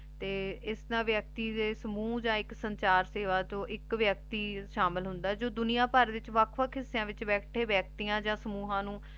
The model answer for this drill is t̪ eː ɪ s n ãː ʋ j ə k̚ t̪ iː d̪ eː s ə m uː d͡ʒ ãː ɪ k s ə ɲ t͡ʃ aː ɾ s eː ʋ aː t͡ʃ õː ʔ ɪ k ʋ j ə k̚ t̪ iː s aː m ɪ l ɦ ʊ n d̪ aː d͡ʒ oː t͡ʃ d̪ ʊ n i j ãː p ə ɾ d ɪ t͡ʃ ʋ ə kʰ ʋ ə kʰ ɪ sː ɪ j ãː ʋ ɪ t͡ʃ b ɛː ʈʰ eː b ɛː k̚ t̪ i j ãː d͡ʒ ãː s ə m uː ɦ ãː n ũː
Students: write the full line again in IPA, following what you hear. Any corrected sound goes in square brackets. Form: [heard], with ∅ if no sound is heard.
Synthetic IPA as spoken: t̪ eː ɪ s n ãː ʋ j ə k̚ t̪ iː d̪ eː s ə m uː d͡ʒ ãː ɪ k s ə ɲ t͡ʃ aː ɾ s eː ʋ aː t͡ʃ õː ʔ ɪ k ʋ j ə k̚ t̪ iː [ʃ] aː m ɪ l ɦ ʊ n d̪ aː d͡ʒ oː [∅] d̪ ʊ n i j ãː p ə ɾ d ɪ t͡ʃ ʋ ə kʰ ʋ ə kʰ ɪ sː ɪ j ãː ʋ ɪ t͡ʃ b ɛː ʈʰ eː b ɛː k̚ t̪ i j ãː d͡ʒ ãː s ə m uː ɦ ãː n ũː